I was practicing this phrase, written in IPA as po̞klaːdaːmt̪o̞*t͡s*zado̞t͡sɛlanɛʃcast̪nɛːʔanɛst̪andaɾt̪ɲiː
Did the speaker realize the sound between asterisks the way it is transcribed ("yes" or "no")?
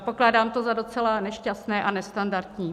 no